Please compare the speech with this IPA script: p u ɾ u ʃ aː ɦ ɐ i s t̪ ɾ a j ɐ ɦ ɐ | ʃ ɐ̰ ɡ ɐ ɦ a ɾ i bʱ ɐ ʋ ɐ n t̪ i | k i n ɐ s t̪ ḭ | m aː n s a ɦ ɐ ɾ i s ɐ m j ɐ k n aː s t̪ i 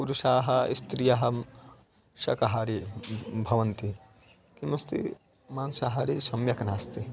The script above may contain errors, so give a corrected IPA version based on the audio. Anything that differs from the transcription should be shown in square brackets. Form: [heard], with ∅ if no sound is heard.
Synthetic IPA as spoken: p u ɾ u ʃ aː ɦ ɐ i s t̪ ɾ [i] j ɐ ɦ ɐ | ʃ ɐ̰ [k] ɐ ɦ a ɾ i bʱ ɐ ʋ ɐ n t̪ i | k i [m] ɐ s t̪ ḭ | m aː n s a ɦ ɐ ɾ i s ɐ m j ɐ k n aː s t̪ i